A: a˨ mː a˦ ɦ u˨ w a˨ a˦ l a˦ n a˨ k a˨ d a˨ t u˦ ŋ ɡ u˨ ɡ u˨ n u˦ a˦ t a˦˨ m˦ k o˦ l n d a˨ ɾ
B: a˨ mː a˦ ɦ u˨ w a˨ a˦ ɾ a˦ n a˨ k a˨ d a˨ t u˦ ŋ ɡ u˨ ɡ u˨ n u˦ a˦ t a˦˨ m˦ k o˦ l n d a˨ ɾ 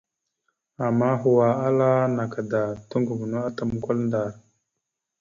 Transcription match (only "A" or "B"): A